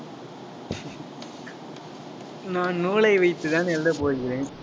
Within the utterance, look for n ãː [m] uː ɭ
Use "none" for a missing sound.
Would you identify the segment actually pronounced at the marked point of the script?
n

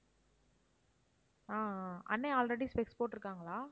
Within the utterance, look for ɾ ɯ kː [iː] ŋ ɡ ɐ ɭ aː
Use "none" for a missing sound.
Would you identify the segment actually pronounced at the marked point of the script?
aː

